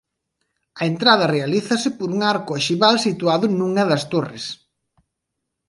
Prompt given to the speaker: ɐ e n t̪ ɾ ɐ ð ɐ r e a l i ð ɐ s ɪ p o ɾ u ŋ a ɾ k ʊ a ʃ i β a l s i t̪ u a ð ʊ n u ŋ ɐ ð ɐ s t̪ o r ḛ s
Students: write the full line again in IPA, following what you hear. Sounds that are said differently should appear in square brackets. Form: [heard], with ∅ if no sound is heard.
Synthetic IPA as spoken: ɐ e n t̪ ɾ [a] ð ɐ r e a l i [θ] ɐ s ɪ p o ɾ u ŋ a ɾ k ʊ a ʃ i β a l s i t̪ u a ð ʊ n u ŋ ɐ ð ɐ s t̪ o r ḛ s